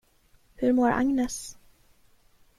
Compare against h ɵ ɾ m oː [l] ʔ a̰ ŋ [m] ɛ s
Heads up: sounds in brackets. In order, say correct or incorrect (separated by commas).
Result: incorrect, incorrect